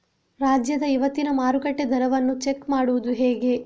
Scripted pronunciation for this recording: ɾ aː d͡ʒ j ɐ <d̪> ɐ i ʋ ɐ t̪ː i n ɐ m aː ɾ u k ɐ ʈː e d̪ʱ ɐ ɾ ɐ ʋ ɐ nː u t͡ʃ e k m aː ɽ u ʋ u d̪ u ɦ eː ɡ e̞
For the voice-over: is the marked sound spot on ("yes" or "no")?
yes